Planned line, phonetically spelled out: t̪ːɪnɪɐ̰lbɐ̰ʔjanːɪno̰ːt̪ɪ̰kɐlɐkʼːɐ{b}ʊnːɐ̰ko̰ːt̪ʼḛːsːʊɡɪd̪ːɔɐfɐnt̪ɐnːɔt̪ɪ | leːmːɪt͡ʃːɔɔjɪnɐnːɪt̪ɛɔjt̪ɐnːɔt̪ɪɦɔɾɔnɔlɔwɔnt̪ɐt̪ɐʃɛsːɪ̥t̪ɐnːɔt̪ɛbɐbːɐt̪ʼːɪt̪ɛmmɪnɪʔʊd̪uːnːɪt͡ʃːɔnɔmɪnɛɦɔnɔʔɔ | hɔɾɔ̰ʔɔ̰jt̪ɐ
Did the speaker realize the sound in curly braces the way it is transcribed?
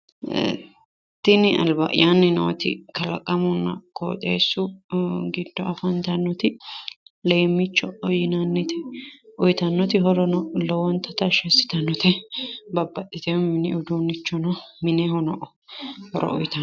no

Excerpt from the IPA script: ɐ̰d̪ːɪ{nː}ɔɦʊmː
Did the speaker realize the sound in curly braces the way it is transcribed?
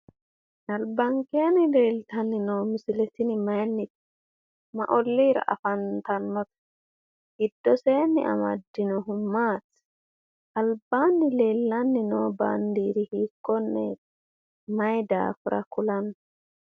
no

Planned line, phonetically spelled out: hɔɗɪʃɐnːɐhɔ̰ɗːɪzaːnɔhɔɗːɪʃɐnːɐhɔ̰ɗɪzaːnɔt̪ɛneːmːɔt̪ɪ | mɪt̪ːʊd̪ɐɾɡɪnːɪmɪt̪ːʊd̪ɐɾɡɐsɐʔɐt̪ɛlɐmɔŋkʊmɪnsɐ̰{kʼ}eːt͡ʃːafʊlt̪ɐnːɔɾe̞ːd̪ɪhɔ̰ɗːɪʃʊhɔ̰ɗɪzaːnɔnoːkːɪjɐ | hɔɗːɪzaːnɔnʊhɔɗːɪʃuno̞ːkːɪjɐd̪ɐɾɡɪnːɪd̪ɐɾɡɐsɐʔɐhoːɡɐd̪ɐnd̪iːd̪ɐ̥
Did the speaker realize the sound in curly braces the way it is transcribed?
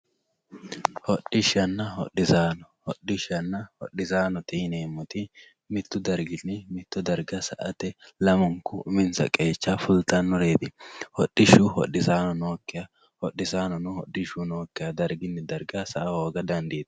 yes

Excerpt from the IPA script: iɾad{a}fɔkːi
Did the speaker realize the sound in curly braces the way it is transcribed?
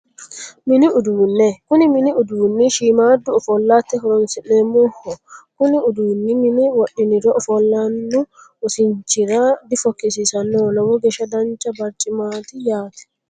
no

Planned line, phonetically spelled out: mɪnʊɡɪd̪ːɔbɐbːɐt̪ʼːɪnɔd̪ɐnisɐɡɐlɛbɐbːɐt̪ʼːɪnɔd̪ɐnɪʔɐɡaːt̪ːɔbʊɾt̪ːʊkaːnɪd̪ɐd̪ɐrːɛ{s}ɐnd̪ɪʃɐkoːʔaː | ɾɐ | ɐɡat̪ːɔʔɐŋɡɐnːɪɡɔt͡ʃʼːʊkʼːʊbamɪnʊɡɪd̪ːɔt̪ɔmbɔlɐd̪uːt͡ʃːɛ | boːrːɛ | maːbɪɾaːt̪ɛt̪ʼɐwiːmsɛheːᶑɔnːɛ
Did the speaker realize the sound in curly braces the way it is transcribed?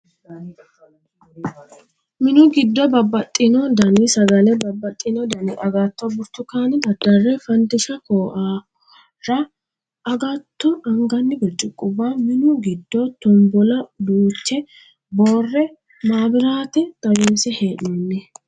no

